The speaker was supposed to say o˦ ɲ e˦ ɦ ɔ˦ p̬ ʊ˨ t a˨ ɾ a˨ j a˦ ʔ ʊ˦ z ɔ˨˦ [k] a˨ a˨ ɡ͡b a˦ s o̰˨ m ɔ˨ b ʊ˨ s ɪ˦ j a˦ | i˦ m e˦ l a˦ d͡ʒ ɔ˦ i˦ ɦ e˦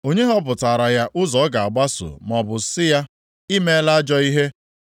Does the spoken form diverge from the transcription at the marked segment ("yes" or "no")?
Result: yes